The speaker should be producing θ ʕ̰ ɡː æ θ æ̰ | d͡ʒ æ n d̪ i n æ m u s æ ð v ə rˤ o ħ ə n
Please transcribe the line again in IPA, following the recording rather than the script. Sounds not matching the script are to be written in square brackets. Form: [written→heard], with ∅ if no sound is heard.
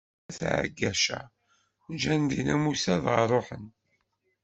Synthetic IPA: θ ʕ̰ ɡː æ [θ→ʃ] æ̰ | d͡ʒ æ n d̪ i n æ m u s æ ð [v→ʁ] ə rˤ o ħ ə n